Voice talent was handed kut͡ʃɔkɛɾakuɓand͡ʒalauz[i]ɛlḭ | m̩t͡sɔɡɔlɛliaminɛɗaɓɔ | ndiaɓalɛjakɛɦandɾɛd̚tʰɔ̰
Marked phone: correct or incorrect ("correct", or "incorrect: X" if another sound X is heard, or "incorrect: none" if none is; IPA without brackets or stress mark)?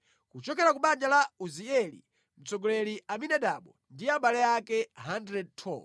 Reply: correct